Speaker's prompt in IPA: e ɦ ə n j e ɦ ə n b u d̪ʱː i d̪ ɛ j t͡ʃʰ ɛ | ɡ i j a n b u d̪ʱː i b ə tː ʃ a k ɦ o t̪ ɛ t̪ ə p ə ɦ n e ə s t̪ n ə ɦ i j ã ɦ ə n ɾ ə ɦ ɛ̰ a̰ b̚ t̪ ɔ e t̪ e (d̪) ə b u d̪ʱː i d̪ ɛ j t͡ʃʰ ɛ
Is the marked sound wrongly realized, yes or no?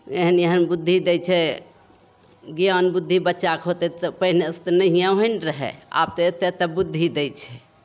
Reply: yes